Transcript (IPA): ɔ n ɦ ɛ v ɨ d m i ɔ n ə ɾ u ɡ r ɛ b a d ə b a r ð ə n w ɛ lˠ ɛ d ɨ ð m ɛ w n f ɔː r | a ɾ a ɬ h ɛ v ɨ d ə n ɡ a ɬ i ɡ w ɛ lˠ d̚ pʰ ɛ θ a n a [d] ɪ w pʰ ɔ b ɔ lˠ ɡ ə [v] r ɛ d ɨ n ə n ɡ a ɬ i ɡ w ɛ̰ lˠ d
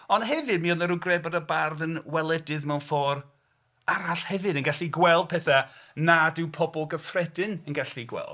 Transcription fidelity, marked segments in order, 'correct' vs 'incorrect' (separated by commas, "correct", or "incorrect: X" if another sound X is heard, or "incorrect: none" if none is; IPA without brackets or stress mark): correct, incorrect: f